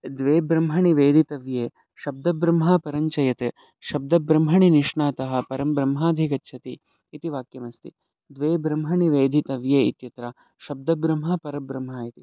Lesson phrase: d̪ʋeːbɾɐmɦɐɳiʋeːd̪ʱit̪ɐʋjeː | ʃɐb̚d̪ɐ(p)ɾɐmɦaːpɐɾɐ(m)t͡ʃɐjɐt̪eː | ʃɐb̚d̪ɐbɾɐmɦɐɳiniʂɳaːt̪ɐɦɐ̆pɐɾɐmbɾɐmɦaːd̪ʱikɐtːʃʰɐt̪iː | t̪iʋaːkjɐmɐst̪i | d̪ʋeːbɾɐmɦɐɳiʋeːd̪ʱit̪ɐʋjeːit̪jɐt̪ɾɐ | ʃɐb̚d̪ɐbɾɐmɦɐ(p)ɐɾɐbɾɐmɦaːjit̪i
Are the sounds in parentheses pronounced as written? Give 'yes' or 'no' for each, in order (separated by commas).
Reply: no, no, yes